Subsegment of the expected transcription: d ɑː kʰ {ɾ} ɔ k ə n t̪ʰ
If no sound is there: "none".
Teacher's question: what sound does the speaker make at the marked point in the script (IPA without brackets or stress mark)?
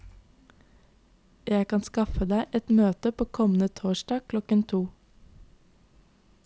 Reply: l